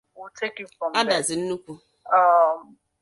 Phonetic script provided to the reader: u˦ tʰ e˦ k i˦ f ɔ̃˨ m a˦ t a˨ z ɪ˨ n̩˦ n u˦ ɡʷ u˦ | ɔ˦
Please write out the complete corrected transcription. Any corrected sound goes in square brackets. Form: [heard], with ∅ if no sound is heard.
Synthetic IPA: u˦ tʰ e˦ k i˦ f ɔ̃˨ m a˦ [d] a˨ z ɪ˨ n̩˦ n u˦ [kʷ] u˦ | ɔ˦